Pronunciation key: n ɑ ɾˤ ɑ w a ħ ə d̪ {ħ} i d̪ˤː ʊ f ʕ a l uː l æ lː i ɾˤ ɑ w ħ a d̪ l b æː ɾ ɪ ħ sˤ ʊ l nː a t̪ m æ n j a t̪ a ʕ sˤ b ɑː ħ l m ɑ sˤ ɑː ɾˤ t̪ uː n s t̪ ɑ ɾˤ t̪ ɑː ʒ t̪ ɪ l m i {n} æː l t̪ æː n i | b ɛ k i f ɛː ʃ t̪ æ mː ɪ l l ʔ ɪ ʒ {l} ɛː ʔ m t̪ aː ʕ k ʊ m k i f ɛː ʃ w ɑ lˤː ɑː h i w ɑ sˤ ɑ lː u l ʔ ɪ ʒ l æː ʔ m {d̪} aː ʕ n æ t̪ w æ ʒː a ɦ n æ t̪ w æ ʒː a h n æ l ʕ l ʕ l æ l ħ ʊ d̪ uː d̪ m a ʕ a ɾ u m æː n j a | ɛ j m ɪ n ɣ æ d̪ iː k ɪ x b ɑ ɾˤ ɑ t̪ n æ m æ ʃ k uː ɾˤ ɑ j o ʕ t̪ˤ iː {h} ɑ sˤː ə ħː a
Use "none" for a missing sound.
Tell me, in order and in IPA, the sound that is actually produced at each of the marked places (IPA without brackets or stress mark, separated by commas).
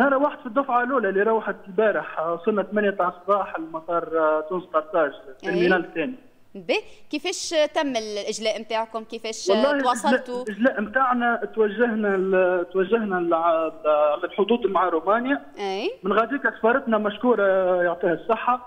f, n, l, t̪, h